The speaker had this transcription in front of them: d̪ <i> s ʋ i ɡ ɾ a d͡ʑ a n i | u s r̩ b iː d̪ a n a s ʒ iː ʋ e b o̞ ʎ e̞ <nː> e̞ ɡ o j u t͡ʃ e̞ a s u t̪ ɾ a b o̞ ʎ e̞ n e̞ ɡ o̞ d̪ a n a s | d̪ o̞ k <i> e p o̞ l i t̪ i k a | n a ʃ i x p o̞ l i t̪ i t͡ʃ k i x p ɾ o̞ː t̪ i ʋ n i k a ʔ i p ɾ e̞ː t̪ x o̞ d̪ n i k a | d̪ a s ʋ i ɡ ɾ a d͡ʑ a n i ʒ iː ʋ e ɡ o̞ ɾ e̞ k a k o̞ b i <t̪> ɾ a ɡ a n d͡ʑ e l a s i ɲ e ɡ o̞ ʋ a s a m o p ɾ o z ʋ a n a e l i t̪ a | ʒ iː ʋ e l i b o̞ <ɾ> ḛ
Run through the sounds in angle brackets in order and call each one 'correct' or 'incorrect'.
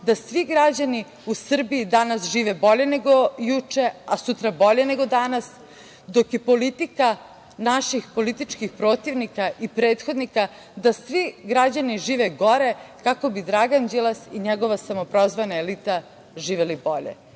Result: incorrect: a, incorrect: n, incorrect: j, incorrect: d̪, incorrect: ʎ

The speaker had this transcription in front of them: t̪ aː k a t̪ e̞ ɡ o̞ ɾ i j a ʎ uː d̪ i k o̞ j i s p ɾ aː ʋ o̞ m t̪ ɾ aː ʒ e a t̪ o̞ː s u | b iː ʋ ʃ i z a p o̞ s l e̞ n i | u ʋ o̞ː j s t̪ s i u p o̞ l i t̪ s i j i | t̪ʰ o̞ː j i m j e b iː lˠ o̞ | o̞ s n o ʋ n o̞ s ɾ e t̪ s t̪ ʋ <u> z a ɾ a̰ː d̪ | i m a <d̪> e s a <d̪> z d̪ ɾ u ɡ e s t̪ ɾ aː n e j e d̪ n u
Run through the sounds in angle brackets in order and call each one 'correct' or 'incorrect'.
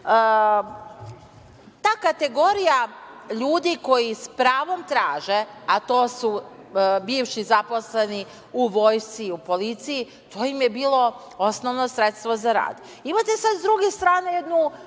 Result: incorrect: o, incorrect: t̪, correct

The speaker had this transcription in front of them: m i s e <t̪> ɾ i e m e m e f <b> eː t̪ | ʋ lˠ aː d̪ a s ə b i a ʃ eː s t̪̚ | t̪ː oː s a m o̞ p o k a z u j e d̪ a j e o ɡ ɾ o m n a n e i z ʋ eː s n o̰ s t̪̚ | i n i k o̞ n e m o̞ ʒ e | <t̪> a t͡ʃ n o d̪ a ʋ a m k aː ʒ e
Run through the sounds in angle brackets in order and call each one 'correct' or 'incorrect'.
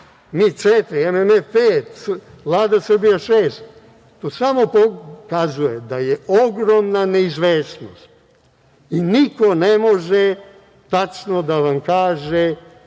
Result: correct, incorrect: p, correct

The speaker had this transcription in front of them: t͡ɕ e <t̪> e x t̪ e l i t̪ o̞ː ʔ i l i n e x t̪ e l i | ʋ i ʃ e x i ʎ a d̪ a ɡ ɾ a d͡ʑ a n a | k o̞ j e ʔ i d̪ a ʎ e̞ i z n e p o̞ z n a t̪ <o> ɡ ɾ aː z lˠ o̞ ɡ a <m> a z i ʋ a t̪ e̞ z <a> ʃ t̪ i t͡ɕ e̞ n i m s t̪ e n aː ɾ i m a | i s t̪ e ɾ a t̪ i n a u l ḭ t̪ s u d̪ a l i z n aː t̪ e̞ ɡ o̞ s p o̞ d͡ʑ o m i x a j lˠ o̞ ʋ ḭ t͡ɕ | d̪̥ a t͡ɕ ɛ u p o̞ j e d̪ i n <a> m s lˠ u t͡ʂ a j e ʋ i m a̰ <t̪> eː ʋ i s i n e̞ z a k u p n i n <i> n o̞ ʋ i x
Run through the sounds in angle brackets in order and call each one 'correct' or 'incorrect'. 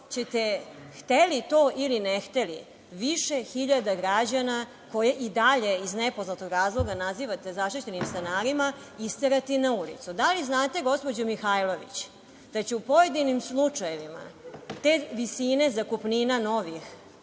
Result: correct, correct, incorrect: n, correct, incorrect: i, correct, incorrect: a

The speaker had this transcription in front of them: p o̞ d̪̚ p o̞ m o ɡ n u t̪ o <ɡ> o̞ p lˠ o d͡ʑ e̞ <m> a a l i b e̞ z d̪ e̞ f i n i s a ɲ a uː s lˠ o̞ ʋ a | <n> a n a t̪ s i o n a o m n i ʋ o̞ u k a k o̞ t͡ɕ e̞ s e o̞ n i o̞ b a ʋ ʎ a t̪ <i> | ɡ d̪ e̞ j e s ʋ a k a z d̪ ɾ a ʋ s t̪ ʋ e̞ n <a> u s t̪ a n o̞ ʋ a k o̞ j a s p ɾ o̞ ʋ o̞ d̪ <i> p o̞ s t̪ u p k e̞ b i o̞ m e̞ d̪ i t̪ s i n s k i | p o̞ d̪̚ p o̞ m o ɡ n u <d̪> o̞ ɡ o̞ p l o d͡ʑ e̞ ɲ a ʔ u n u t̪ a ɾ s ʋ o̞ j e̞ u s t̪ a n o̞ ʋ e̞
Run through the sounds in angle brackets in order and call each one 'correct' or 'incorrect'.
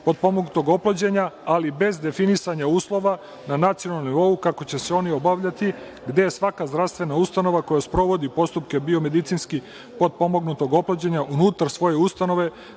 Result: correct, incorrect: ɲ, correct, correct, correct, correct, incorrect: t̪

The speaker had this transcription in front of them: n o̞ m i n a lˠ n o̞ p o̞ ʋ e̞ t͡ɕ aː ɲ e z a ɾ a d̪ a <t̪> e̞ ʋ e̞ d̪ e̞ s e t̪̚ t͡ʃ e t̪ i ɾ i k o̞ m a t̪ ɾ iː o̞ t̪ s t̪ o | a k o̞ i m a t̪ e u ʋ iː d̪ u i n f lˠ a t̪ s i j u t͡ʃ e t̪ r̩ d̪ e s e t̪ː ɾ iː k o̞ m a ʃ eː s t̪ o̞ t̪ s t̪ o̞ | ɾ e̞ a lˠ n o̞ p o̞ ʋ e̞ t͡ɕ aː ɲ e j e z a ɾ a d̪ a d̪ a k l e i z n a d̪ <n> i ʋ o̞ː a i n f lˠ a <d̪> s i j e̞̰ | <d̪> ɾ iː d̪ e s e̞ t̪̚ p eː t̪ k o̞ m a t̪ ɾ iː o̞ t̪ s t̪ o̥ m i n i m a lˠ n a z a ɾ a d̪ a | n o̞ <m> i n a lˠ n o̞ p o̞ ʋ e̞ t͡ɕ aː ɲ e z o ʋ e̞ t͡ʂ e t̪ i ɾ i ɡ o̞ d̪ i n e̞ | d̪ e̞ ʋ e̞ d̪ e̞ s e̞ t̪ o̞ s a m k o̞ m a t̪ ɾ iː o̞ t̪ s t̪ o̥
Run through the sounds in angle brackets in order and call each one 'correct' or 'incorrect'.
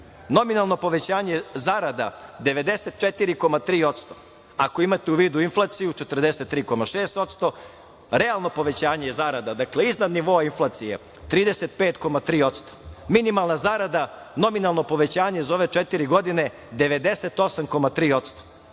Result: incorrect: d̪, correct, incorrect: t̪, incorrect: t̪, correct

